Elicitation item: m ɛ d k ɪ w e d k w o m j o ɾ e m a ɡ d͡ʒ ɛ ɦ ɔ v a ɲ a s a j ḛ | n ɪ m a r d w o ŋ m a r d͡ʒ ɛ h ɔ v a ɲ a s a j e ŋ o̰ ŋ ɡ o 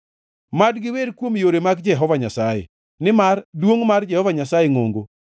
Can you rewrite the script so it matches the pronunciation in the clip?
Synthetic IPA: m a d ɡ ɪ w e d k w o m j o ɾ e m a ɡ d͡ʒ ɛ ɦ ɔ v a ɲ a s a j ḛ | n ɪ m a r d w o ŋ m a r d͡ʒ ɛ h ɔ v a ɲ a s a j e ŋ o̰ ŋ ɡ o